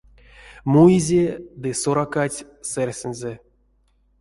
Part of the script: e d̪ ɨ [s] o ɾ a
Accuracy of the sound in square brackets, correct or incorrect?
correct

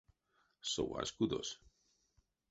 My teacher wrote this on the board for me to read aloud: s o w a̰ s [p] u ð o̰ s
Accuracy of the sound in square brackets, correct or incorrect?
incorrect: k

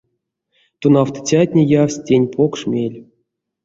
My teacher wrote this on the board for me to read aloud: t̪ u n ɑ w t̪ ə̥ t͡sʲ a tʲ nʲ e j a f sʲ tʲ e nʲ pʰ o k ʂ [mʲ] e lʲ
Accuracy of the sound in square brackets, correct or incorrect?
correct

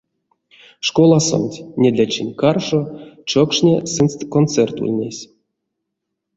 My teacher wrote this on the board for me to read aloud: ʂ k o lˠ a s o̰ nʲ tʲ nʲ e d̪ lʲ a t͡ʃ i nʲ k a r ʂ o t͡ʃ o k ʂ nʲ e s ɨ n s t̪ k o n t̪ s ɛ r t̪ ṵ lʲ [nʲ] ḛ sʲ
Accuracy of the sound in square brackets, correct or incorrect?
correct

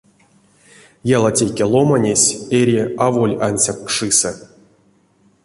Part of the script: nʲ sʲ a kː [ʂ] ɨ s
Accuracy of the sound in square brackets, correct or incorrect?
correct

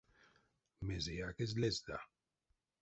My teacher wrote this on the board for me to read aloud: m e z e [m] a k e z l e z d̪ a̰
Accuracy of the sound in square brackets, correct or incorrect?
incorrect: none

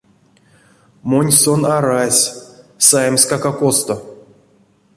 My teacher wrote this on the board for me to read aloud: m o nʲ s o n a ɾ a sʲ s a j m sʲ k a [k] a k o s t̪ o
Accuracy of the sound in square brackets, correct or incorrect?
correct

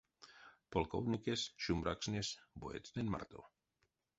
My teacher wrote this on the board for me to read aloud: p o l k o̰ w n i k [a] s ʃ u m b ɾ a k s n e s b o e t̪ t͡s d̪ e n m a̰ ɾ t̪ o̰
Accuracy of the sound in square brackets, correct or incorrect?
incorrect: e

